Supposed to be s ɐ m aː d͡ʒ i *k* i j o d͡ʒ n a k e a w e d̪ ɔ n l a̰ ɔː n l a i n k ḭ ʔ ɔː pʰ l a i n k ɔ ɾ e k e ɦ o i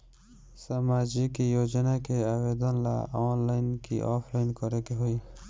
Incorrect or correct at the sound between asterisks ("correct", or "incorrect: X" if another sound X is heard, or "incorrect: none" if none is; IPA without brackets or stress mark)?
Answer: correct